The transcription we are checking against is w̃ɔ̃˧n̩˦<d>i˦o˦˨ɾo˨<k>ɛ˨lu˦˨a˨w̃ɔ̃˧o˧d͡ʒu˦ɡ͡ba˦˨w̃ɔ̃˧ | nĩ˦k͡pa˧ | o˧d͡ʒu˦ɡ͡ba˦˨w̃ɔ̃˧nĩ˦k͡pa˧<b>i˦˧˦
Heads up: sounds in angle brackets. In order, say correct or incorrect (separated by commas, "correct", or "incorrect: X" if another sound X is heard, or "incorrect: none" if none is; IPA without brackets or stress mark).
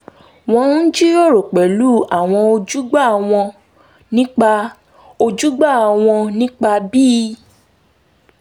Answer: incorrect: d͡ʒ, incorrect: k͡p, correct